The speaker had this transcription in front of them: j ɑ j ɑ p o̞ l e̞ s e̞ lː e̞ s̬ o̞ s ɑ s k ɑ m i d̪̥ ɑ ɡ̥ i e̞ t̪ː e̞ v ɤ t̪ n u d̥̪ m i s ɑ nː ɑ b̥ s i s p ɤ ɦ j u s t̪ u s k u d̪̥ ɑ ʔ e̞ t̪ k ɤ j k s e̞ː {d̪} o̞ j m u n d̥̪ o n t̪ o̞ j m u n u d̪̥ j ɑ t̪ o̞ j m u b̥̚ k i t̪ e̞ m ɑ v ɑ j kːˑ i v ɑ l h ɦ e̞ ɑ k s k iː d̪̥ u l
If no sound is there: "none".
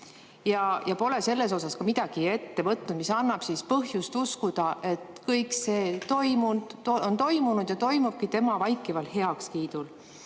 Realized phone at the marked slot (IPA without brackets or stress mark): t̪